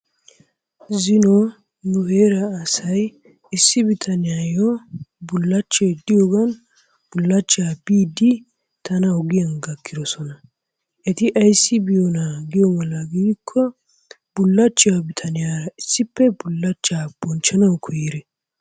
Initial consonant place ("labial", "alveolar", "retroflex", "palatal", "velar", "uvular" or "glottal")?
alveolar